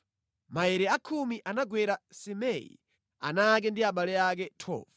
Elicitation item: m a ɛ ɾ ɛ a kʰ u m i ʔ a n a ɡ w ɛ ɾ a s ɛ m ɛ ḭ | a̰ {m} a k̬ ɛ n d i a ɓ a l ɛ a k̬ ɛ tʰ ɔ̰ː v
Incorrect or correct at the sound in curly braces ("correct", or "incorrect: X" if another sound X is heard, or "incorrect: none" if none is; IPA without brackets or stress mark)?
incorrect: n